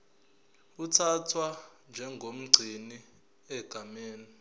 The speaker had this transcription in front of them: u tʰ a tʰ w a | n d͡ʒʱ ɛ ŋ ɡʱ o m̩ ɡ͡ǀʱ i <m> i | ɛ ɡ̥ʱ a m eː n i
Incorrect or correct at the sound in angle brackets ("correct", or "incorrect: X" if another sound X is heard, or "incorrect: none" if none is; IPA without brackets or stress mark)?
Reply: incorrect: n